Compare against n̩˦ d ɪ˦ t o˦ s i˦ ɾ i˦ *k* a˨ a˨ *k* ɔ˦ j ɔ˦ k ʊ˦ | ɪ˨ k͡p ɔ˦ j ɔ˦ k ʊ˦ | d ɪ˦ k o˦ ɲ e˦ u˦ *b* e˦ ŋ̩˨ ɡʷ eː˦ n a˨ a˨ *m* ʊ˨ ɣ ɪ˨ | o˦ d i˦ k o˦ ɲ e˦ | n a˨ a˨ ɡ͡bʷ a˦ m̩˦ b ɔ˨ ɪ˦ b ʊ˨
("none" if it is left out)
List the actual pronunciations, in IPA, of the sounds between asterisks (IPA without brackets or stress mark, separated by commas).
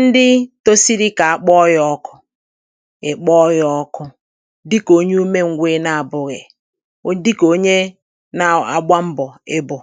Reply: k, k͡p, m, b